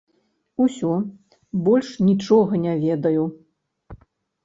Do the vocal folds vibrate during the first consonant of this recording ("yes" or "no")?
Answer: no